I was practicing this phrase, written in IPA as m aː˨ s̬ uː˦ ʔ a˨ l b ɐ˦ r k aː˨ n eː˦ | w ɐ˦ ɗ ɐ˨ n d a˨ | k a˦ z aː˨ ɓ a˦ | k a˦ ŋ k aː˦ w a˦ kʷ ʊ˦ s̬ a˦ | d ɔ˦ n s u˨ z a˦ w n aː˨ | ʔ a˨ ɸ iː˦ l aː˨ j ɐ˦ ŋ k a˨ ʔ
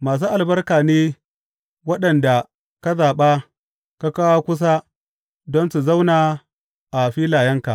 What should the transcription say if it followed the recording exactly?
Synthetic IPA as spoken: m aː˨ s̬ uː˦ ʔ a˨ l b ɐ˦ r k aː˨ n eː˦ | w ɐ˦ ɗ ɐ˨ n d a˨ | k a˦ z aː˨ ɓ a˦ | k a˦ k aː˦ w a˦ kʷ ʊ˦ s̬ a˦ | d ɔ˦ n s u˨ z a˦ w n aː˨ | ʔ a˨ ɸ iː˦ l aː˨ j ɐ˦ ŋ k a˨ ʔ